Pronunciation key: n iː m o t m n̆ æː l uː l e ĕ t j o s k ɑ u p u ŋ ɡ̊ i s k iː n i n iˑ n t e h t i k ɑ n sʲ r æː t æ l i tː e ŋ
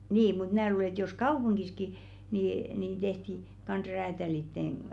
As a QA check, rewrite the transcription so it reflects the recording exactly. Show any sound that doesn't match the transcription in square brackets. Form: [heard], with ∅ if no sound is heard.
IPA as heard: n iː m [u] t m n̆ æː l uː l e ĕ t j o s k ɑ u p u ŋ ɡ̊ i s k [i] n i n iˑ n t e h t i k ɑ n sʲ r æː t æ l i tː e ŋ